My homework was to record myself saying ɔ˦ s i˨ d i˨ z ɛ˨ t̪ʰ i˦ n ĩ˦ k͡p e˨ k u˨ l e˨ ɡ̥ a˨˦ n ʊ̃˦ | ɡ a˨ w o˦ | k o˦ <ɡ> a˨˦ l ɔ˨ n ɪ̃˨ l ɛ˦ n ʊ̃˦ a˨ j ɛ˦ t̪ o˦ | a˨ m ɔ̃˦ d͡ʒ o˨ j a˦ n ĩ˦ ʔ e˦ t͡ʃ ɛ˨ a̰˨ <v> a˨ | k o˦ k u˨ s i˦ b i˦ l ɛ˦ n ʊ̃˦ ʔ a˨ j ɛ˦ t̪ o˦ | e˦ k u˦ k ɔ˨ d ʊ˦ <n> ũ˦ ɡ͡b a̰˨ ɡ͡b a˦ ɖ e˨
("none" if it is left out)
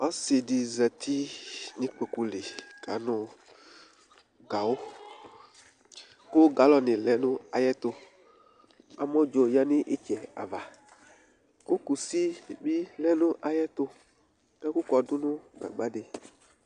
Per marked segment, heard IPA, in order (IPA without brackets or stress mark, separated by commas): ɡ, v, n